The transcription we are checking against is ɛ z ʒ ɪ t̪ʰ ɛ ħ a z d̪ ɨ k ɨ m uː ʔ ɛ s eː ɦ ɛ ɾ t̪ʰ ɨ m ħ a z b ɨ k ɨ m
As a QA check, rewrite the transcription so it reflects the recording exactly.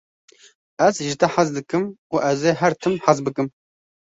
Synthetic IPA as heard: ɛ z ʒ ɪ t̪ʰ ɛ ħ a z d̪ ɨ k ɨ m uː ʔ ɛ z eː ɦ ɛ ɾ t̪ʰ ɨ m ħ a z b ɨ k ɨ m